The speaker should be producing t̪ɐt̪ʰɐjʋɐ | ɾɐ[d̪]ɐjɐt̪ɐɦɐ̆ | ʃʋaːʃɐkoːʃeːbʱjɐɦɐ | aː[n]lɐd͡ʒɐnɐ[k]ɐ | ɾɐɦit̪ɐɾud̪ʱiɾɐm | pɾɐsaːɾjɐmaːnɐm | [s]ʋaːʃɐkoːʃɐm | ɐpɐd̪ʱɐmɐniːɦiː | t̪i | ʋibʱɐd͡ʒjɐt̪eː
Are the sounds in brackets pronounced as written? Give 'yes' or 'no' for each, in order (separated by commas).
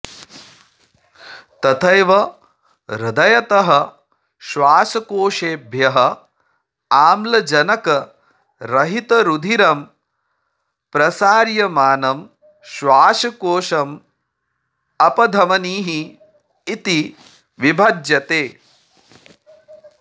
yes, no, yes, no